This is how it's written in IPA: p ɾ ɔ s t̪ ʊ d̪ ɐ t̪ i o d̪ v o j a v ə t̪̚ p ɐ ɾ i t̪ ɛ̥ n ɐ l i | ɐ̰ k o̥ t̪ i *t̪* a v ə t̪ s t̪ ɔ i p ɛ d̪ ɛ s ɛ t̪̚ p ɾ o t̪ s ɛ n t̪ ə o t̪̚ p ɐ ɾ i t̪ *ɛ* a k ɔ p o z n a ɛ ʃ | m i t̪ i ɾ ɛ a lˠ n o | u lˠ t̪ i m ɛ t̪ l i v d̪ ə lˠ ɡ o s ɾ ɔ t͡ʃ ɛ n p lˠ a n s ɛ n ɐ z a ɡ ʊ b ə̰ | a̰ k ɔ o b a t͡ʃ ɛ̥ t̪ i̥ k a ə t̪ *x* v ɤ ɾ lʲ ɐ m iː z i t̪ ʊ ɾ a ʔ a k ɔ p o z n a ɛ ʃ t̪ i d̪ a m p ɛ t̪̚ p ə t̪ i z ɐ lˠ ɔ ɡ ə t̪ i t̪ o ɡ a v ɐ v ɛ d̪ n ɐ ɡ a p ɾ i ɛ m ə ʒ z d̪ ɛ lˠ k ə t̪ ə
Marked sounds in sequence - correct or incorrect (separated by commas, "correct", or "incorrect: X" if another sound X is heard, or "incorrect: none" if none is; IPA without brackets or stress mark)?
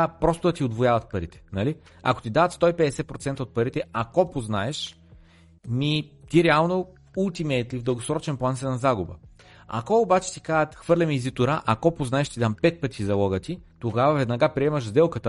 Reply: incorrect: d̪, correct, correct